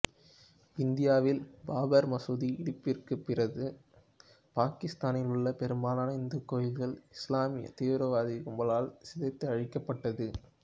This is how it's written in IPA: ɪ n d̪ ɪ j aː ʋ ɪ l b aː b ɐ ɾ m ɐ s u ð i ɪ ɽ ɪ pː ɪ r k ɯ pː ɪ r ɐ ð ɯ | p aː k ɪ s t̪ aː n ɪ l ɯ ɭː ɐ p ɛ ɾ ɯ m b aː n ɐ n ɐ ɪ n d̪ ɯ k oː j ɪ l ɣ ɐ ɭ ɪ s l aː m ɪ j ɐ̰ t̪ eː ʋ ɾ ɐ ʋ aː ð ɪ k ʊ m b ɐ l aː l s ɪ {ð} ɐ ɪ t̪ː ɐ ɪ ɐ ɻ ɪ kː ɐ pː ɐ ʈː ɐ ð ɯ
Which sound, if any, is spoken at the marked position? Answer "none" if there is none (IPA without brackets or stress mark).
ð